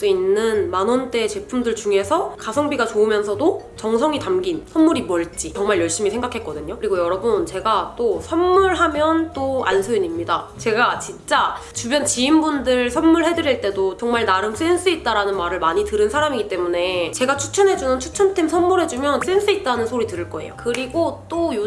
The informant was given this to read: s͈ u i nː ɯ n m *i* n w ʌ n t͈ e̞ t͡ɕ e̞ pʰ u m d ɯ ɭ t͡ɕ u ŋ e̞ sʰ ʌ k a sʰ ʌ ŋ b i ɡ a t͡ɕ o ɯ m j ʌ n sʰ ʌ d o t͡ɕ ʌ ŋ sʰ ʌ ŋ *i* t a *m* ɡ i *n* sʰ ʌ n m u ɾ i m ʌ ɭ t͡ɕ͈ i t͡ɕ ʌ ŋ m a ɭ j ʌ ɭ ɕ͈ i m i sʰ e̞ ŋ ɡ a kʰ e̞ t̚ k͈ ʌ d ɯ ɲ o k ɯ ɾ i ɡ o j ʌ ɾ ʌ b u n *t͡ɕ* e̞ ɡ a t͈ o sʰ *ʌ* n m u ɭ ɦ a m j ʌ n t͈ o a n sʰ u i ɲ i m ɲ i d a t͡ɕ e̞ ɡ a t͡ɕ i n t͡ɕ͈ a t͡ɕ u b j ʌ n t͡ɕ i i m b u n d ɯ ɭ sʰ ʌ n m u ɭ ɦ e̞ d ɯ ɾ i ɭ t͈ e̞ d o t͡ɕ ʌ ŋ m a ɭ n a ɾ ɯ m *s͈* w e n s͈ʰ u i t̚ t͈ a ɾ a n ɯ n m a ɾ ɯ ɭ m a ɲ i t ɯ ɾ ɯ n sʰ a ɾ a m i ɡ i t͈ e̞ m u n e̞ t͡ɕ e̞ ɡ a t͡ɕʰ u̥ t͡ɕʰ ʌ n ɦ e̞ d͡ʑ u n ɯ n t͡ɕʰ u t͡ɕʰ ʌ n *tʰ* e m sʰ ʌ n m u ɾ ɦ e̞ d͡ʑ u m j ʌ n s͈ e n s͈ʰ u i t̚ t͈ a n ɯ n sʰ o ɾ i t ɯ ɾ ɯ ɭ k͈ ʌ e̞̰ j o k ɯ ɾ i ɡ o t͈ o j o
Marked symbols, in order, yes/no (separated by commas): no, yes, yes, yes, yes, yes, yes, yes